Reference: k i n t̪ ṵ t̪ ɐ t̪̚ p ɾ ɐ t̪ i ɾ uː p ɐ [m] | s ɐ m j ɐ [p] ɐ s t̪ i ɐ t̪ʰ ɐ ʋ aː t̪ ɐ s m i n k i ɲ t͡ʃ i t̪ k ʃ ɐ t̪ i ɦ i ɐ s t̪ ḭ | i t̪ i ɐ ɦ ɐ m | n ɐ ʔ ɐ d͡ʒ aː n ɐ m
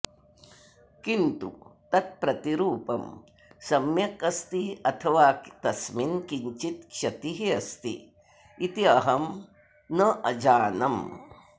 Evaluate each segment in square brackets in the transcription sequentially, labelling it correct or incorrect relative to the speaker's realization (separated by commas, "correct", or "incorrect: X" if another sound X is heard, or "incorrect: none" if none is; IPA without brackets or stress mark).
correct, incorrect: k